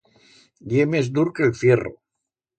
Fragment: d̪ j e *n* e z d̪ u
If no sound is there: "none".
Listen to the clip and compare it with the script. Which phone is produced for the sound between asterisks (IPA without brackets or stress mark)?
m